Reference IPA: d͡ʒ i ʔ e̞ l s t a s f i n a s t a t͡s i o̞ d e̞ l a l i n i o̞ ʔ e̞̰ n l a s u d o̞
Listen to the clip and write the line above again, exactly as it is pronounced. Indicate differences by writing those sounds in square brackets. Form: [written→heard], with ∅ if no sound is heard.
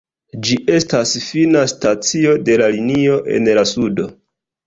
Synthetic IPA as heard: d͡ʒ i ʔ e̞ [l→∅] s t a s f i n a s t a t͡s i o̞ d e̞ l a l i n i o̞ ʔ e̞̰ n l a s u d o̞